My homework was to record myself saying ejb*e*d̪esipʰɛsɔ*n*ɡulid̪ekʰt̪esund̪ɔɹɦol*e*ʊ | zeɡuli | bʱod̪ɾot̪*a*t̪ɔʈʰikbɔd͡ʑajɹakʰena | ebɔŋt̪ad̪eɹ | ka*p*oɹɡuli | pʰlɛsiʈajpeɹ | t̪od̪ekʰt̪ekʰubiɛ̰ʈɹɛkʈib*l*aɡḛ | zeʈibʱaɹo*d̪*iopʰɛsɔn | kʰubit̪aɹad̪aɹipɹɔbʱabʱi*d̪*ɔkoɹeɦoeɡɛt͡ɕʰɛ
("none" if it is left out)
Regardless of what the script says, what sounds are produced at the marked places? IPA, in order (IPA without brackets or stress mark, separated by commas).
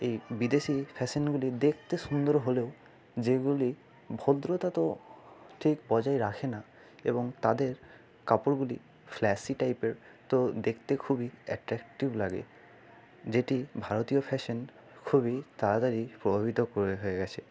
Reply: i, n, e, a, p, l, t̪, t̪